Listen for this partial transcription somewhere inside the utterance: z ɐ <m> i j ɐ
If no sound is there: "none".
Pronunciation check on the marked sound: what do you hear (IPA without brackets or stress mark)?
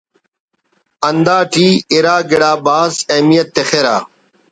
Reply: m